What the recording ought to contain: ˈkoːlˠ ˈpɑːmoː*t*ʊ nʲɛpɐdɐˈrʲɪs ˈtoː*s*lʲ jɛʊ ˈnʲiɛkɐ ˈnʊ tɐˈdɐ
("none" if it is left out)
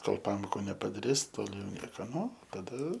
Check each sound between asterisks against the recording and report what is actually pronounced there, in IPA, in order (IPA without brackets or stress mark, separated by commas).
k, none